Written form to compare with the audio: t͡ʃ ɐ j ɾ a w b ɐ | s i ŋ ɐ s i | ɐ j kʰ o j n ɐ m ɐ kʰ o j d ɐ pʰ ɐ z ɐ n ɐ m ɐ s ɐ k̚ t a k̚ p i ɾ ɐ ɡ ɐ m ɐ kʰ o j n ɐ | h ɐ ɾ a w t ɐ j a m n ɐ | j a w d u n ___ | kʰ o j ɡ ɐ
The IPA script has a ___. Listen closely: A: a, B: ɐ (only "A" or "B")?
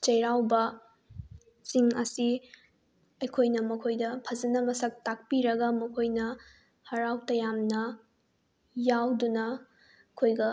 B